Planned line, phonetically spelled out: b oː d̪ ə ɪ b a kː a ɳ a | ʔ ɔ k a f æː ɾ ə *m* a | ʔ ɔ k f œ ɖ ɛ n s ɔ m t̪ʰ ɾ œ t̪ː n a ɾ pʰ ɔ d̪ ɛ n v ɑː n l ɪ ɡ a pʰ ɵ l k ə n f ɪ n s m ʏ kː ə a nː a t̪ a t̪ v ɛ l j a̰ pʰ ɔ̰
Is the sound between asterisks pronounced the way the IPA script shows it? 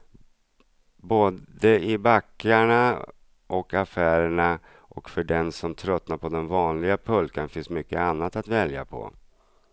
no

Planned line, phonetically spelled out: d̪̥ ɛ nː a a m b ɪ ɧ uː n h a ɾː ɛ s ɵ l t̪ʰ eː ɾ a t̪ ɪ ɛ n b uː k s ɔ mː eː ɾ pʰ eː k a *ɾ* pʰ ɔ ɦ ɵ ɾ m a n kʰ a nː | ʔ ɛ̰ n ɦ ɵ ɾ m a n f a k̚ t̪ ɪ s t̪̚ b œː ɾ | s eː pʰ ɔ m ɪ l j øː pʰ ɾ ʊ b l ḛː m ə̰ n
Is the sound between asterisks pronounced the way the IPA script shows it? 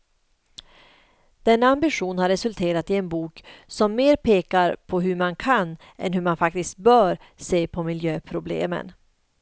yes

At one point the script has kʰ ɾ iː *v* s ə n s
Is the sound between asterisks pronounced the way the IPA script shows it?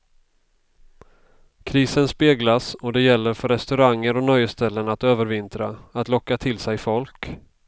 no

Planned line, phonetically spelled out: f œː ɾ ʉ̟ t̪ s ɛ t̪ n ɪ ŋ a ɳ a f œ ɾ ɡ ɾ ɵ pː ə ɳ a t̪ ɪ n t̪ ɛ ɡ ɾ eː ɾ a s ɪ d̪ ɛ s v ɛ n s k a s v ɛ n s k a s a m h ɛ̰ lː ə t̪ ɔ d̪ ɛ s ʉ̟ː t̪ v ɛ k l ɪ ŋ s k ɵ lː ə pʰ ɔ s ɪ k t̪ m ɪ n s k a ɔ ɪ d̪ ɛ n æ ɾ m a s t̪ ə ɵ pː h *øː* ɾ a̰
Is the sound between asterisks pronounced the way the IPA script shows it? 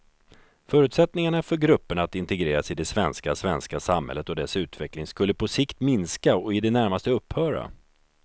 no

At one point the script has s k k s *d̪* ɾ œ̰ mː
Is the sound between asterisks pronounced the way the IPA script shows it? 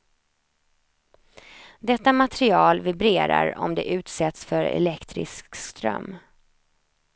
no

